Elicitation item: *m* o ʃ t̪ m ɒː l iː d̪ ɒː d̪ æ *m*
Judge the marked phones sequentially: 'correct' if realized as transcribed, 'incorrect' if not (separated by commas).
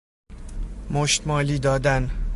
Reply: correct, incorrect